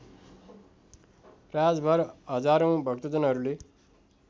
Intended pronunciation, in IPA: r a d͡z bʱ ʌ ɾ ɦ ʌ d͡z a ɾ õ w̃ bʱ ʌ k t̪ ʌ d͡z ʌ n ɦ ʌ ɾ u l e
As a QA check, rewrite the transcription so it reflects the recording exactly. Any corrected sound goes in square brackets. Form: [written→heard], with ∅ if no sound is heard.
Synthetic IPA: r a d͡z bʱ ʌ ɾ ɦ ʌ d͡z a ɾ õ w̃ bʱ ʌ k t̪ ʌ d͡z ʌ n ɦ ʌ ɾ u l e